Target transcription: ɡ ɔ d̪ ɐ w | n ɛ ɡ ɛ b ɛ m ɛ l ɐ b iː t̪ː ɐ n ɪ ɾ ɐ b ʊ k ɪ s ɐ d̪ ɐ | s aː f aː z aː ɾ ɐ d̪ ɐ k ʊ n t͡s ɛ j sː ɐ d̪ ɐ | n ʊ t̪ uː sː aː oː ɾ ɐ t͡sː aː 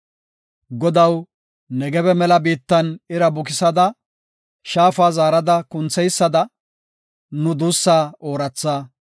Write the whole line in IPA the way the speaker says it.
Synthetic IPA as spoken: ɡ ɔ d̪ ɐ w | n ɛ ɡ ɛ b ɛ m ɛ l ɐ b iː t̪ː ɐ n ɪ ɾ ɐ b ʊ k ɪ s ɐ d̪ ɐ | ʃ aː f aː z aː ɾ ɐ d̪ ɐ k ʊ n t͡s ɛ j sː ɐ d̪ ɐ | n ʊ d̪ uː sː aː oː ɾ ɐ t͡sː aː